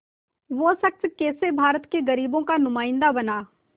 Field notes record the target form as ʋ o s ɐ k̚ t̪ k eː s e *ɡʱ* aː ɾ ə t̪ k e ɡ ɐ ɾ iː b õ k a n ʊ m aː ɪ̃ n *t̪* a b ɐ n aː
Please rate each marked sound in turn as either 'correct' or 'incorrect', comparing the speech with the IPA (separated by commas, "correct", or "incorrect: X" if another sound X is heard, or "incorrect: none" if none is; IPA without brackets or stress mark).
incorrect: bʱ, incorrect: d̪